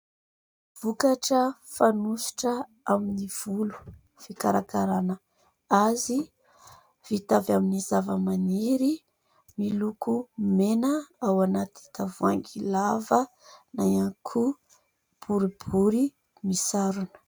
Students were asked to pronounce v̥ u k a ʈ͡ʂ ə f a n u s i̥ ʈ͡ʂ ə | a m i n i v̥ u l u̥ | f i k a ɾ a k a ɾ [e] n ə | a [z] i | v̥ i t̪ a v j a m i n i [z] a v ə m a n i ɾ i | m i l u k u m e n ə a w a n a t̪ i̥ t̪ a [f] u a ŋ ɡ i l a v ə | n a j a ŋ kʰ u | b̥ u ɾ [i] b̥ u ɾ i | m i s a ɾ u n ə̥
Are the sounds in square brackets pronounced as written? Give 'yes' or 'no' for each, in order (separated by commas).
no, yes, yes, no, yes